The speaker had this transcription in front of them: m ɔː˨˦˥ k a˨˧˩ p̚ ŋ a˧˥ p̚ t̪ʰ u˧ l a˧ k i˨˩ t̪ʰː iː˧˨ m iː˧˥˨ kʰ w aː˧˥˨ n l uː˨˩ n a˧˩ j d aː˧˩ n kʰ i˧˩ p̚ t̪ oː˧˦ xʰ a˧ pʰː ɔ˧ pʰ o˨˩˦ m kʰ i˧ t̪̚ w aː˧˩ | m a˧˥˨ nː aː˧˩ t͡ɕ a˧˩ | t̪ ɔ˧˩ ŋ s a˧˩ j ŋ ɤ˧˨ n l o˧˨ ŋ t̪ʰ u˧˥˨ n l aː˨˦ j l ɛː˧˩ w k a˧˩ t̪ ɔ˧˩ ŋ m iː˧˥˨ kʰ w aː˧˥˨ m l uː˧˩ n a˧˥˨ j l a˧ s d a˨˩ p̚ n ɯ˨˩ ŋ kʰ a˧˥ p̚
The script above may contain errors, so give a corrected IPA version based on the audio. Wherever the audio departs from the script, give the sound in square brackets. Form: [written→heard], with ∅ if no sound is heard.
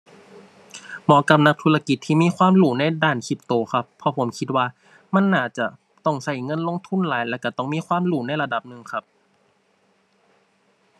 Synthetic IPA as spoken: m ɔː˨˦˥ k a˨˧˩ p̚ [ŋ→n] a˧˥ [p̚→k̚] t̪ʰ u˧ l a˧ k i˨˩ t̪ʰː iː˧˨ m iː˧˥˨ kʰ w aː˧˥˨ [n→m] l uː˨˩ n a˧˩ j d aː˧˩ n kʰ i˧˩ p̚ t̪ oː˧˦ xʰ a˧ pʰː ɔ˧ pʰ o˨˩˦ m kʰ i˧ t̪̚ w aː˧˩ | m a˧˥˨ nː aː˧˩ t͡ɕ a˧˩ | t̪ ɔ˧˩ ŋ s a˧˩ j ŋ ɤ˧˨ n l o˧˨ ŋ t̪ʰ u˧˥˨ n l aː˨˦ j l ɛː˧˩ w k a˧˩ t̪ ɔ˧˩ ŋ m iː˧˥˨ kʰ w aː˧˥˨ m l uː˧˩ n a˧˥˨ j l a˧ [s→∅] d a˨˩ p̚ n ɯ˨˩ ŋ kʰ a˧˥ p̚